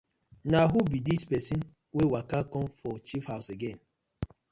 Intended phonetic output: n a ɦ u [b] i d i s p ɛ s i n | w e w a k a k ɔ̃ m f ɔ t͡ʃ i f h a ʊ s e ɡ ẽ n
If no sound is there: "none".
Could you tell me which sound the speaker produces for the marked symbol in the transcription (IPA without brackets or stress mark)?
b